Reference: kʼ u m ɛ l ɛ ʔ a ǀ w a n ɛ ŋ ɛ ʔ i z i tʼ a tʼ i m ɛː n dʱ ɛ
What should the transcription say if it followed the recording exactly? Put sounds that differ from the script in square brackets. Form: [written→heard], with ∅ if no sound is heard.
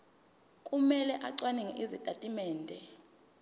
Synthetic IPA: kʼ u m ɛ l ɛ ʔ a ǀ w a n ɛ ŋ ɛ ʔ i z i tʼ a tʼ i m ɛː n dʱ ɛ